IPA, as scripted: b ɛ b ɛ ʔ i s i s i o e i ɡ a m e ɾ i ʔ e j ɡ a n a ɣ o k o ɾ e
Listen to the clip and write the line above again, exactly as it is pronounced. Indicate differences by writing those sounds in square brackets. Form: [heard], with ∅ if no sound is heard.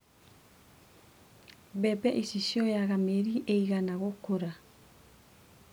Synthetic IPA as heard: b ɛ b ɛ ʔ i s i s i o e [a] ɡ a m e ɾ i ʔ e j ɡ a n a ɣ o k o ɾ [a]